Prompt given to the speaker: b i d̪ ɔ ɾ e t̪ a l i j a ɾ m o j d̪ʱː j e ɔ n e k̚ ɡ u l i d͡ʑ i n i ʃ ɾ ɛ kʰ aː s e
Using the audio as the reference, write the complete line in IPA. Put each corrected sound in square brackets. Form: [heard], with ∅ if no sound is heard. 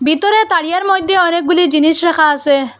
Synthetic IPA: b i [t̪] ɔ ɾ e t̪ a [ɽ] i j a ɾ m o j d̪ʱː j e ɔ n e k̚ ɡ u l i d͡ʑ i n i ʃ ɾ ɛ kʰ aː s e